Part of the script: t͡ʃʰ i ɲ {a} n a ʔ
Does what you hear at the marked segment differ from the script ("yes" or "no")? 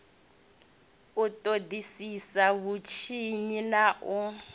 yes